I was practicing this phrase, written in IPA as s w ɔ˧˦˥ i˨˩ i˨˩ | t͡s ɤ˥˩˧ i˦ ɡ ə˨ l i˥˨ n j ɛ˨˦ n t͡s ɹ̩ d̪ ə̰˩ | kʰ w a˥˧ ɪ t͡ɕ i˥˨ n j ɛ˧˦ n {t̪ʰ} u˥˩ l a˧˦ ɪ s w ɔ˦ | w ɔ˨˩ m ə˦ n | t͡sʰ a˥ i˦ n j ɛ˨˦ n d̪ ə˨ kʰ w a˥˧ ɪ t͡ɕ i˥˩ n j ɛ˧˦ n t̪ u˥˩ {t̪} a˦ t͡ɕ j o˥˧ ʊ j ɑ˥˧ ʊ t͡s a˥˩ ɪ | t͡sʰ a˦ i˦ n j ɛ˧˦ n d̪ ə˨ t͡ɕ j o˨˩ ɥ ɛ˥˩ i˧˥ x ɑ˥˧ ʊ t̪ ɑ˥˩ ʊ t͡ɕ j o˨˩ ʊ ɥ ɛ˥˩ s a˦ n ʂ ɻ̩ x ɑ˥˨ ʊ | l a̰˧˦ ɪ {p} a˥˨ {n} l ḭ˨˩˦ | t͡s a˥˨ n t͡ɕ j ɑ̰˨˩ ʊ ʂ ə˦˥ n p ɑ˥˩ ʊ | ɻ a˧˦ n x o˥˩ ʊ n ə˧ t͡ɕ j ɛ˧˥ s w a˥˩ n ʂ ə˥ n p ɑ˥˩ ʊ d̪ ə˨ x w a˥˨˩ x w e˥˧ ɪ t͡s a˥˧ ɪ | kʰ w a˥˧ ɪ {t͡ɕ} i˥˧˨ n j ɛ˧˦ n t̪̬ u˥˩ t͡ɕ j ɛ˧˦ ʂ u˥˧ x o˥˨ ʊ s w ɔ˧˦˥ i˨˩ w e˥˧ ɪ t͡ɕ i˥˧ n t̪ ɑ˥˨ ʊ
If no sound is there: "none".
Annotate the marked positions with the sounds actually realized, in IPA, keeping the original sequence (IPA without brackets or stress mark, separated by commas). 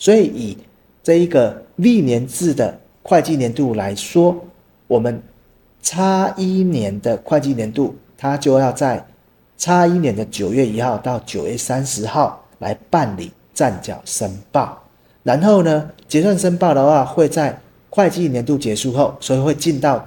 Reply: t̪, t̪ʰ, p, n, t͡ɕ